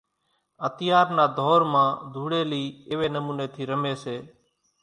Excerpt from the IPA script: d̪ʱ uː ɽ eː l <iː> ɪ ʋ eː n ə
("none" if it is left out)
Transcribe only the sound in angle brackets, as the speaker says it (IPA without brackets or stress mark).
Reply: iː